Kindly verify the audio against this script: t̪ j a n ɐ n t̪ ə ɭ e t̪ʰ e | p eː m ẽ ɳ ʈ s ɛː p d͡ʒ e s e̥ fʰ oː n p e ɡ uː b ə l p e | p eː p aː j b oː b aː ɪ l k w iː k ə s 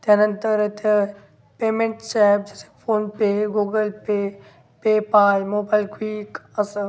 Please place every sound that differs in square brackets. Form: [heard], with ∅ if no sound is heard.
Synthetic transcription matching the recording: t̪ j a n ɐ n t̪ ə [ɾ] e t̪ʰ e | p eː m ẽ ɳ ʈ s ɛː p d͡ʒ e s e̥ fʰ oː n p e ɡ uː [ɡ] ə l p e | p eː p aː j [m] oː b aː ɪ l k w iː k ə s